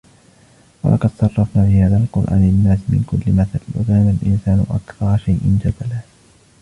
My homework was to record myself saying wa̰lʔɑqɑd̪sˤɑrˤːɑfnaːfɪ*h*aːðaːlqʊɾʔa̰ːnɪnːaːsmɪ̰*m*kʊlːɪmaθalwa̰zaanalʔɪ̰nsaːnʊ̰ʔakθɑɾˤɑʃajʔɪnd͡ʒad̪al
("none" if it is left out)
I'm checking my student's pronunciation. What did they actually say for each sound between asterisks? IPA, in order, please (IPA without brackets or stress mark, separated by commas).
h, n